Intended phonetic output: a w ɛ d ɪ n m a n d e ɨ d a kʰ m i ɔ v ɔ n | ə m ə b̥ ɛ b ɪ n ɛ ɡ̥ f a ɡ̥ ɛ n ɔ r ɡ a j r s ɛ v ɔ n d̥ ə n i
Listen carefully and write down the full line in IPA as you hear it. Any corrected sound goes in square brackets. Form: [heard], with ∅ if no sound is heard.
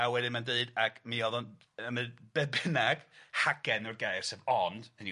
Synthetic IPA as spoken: a w ɛ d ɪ n m a n d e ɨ d a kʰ m i ɔ [ð] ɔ n | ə m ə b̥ ɛ b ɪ n [a] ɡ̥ [h] a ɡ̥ ɛ n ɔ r ɡ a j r s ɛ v ɔ n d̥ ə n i